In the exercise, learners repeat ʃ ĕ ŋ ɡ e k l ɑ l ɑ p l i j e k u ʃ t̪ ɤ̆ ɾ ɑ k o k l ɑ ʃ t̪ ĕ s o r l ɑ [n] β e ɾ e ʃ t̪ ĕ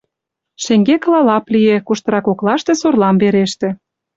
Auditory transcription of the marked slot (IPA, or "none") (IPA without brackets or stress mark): m